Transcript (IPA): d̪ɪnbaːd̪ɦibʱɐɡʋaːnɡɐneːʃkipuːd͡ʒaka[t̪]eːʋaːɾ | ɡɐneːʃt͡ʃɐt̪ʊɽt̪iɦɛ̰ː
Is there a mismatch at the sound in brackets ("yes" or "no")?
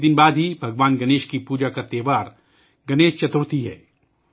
no